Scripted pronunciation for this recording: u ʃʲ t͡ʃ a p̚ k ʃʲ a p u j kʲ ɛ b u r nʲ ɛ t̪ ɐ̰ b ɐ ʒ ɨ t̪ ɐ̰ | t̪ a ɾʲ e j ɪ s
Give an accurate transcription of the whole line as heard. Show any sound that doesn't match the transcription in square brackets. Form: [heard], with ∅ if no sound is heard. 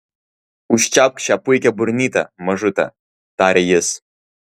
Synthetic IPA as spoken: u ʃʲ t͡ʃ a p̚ k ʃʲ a p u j kʲ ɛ b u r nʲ [i] t̪ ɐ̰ [m] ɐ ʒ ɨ t̪ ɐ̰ | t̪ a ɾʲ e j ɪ s